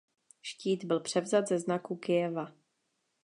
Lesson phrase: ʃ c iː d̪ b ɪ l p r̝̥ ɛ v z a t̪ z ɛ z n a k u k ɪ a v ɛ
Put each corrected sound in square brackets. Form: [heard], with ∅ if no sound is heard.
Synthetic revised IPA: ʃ c iː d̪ b ɪ l p r̝̥ ɛ v z a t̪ z ɛ z n a k u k ɪ [ɛ] v [a]